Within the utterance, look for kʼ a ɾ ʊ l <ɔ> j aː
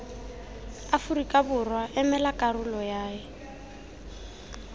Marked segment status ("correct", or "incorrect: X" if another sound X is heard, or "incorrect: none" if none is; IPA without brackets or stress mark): correct